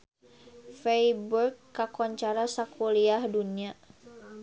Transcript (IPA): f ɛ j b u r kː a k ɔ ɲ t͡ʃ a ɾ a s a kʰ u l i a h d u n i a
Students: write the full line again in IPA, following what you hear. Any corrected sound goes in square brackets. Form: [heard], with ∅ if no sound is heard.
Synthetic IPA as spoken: f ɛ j b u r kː a k ɔ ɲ t͡ʃ a ɾ a s a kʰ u l i a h d u n i a